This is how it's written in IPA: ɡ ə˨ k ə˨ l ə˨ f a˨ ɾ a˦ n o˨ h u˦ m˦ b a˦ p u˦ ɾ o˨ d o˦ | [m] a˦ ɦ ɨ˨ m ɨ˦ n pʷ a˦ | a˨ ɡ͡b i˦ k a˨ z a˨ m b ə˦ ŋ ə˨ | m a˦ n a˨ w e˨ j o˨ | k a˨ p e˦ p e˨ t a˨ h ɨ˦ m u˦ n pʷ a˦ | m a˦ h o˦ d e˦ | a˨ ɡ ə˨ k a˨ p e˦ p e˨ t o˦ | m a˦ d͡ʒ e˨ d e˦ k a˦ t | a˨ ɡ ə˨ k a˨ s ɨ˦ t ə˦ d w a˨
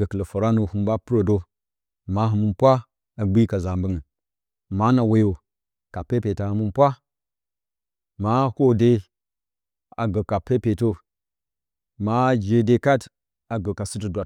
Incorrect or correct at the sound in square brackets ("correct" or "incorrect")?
correct